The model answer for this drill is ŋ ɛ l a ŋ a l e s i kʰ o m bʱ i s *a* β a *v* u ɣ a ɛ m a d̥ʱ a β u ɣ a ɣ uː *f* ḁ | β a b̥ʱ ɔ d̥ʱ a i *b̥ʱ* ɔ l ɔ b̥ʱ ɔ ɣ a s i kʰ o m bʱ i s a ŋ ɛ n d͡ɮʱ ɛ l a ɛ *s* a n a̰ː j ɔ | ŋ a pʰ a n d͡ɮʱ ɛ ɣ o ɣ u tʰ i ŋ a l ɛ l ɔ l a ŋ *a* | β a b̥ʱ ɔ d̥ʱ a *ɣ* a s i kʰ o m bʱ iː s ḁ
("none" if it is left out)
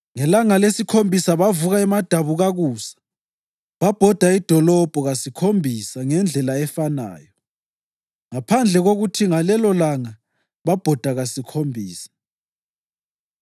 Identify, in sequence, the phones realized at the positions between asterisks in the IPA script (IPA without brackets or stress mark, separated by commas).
a, v, s, d̥ʱ, f, a, ɣ